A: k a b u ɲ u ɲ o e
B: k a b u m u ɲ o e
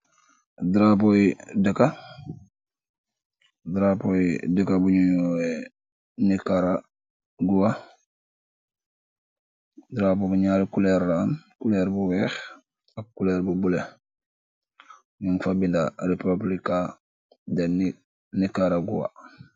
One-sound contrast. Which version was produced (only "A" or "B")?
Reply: A